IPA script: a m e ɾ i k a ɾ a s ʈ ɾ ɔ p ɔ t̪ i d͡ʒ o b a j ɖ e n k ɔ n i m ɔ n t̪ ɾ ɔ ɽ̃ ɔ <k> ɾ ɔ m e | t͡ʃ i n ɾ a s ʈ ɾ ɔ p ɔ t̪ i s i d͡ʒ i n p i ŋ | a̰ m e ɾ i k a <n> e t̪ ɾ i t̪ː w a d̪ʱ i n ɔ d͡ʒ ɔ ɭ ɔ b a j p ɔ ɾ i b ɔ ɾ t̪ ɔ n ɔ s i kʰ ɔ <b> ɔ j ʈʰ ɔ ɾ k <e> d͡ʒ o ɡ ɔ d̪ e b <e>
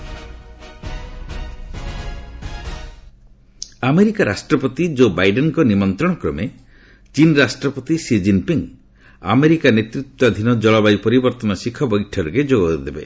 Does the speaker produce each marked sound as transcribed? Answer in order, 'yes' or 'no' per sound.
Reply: yes, yes, yes, yes, yes

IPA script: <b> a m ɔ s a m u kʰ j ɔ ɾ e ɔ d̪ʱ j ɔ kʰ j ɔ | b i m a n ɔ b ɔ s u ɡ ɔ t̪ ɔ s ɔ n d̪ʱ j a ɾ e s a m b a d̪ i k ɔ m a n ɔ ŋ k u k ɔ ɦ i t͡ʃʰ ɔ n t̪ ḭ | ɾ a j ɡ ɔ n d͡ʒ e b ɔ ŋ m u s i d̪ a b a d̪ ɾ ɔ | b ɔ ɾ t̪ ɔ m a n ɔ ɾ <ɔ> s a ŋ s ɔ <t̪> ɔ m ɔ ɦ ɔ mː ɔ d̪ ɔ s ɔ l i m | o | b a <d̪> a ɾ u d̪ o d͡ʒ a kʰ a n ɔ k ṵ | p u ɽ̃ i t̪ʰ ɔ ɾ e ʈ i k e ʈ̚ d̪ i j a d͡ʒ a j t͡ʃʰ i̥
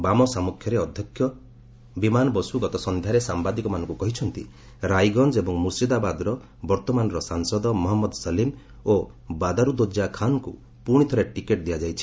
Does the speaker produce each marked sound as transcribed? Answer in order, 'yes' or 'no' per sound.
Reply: yes, yes, no, yes

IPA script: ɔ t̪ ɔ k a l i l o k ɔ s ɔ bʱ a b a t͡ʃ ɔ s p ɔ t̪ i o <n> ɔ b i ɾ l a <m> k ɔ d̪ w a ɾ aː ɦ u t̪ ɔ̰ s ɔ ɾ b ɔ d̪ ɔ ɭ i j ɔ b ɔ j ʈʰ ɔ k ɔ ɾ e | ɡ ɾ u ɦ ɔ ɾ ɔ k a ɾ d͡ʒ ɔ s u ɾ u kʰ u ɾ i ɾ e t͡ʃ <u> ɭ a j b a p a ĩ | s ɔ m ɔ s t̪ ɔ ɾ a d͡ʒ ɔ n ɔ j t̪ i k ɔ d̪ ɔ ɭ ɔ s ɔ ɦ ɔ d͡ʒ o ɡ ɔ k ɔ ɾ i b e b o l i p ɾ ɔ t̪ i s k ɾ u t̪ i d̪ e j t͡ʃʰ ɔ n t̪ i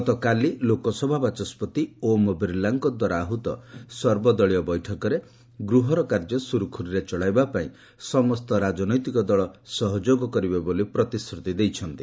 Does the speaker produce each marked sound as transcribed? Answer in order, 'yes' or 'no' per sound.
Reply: no, no, no

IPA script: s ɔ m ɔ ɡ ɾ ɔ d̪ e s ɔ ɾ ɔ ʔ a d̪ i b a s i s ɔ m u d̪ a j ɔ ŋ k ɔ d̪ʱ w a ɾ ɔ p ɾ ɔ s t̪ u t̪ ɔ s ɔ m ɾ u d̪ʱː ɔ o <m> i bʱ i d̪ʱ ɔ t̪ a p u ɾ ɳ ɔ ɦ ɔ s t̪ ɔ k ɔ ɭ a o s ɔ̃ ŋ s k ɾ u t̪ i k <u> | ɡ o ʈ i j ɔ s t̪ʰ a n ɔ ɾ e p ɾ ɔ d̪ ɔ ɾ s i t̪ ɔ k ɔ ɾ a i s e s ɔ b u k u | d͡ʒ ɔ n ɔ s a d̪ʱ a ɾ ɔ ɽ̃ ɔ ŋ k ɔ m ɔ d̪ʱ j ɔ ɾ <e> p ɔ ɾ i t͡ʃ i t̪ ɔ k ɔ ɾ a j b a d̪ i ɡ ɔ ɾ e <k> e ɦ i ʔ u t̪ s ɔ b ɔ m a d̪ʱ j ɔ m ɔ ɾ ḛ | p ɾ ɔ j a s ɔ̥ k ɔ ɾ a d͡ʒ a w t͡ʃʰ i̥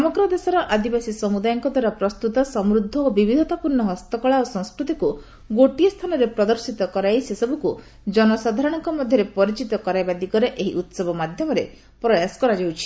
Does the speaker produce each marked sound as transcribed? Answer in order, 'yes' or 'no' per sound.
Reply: no, yes, yes, no

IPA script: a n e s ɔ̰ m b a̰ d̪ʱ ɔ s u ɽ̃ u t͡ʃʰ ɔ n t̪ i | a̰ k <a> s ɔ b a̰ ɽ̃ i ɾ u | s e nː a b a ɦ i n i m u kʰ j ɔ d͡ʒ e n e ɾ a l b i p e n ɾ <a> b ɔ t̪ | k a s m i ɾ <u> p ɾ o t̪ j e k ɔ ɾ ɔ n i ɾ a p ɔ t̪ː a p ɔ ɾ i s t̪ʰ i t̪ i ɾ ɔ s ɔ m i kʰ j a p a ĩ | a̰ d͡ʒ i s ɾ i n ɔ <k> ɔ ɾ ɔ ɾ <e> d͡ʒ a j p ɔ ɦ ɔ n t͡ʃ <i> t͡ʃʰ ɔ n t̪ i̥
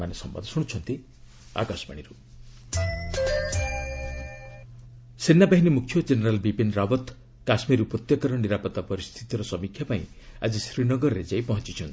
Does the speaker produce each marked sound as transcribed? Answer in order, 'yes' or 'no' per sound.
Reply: yes, yes, yes, no, yes, yes

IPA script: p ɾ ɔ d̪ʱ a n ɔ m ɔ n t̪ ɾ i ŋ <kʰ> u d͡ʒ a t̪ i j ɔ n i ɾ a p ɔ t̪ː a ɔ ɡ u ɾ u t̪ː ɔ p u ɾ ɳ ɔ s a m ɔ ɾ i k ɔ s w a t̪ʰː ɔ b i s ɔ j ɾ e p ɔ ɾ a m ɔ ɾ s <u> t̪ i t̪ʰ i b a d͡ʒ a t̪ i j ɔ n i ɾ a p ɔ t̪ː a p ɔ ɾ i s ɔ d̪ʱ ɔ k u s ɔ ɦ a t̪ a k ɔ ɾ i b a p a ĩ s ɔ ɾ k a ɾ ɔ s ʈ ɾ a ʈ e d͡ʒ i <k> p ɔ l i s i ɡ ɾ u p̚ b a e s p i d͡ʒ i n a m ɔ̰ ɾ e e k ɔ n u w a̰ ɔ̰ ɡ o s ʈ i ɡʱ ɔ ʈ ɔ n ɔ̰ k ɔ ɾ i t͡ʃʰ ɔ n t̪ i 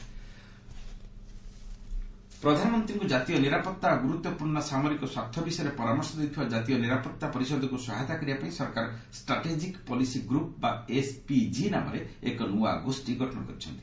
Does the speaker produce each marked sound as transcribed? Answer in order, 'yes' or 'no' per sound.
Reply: no, no, yes

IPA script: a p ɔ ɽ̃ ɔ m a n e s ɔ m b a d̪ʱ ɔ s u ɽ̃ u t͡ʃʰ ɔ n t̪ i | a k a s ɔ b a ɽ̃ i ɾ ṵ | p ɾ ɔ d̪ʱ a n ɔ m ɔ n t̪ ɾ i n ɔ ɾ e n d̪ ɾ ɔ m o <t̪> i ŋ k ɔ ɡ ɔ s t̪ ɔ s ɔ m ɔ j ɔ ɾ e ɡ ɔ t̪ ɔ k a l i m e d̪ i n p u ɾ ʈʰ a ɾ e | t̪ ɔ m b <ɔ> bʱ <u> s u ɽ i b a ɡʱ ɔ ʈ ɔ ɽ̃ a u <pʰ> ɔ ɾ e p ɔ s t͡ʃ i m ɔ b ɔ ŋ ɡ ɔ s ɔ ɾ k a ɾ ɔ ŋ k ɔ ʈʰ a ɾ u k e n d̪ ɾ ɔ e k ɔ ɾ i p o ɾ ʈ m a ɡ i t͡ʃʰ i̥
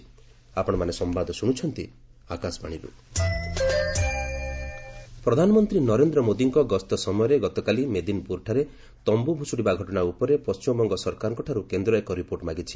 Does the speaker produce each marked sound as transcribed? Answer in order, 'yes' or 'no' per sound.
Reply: no, no, yes, no

